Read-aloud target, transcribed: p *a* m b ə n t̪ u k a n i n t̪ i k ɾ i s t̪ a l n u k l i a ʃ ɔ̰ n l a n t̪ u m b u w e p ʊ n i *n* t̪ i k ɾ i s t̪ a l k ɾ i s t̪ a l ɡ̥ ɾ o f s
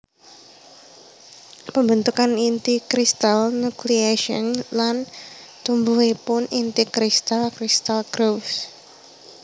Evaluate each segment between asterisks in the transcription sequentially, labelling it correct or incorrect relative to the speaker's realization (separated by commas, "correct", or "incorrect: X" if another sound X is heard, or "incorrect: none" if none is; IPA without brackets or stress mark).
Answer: incorrect: ə, correct